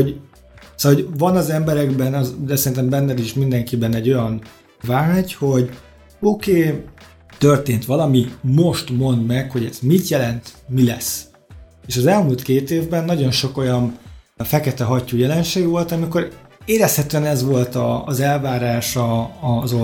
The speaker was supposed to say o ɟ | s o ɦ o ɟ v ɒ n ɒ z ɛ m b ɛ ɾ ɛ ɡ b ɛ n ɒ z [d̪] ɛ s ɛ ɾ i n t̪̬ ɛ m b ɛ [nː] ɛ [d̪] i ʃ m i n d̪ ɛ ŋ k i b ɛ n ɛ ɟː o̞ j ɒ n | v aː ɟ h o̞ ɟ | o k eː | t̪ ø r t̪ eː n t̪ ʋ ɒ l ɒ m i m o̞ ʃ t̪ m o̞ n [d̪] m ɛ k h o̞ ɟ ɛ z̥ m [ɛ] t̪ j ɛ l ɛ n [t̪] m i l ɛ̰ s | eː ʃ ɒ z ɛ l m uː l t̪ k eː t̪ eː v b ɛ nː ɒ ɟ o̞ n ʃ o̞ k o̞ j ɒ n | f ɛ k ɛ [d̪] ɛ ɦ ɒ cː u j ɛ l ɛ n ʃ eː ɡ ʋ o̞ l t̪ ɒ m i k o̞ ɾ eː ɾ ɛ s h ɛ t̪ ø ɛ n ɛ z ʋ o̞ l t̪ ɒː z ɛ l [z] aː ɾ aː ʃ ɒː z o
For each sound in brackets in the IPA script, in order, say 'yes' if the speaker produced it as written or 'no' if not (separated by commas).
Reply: yes, yes, yes, yes, no, yes, no, no